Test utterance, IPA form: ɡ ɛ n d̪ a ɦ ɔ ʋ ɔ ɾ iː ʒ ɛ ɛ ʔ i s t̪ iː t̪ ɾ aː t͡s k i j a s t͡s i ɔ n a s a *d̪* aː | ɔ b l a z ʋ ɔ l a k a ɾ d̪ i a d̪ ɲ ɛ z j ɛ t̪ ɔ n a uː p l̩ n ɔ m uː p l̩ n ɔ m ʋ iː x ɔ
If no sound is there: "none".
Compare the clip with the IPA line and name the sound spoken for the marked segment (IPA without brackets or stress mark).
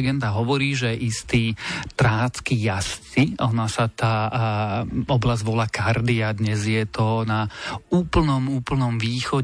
t̪